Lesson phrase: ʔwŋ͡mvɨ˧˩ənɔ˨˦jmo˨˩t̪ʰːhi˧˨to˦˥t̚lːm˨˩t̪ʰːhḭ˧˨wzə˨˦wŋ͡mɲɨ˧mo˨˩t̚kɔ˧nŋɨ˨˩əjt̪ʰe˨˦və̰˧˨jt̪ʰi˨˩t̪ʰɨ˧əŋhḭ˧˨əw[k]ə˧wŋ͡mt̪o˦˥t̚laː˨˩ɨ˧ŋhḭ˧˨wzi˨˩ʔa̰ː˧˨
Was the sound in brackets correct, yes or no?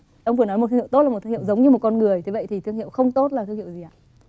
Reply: no